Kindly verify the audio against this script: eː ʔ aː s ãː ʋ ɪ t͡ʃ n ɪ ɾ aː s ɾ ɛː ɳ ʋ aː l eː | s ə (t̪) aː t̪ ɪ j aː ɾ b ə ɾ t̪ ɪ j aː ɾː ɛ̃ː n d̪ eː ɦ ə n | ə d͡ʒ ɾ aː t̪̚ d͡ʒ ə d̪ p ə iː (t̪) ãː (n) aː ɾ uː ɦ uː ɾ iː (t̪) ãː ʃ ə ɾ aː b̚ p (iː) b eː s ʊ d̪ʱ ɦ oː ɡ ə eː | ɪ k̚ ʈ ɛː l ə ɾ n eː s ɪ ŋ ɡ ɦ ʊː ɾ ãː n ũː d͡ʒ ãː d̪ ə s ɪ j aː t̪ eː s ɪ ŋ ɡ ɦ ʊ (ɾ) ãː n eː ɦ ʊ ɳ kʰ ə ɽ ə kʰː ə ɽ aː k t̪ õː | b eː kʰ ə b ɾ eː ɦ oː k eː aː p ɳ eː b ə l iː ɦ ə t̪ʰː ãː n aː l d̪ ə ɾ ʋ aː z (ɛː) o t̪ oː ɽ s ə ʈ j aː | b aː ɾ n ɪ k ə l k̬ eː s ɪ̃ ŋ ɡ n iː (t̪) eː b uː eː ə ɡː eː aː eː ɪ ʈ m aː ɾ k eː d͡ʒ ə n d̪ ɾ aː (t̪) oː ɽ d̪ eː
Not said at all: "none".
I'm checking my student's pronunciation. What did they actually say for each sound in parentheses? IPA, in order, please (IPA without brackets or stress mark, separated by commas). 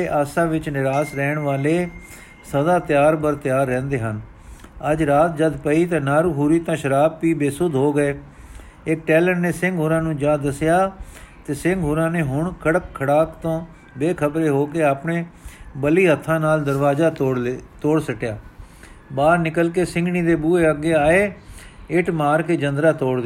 d̪, t̪, n, t̪, iː, ɾ, aː, d̪, t̪